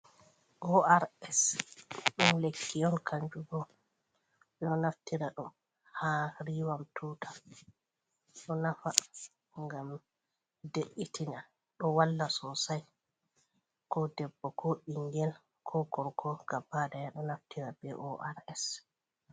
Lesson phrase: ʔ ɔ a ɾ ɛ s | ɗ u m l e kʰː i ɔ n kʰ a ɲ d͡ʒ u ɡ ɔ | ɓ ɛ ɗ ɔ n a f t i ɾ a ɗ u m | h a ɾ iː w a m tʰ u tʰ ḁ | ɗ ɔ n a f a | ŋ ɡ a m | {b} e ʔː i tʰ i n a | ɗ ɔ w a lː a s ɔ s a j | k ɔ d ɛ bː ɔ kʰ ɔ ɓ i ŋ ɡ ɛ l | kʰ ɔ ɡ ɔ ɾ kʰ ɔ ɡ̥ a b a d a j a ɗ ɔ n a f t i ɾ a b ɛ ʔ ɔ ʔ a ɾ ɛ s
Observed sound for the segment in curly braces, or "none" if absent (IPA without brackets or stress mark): d